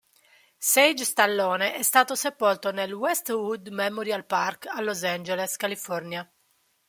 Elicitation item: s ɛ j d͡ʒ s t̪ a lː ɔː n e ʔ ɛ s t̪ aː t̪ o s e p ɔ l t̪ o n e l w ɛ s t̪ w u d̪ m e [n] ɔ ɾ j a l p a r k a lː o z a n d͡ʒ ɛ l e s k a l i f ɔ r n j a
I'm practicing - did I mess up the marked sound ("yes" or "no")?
yes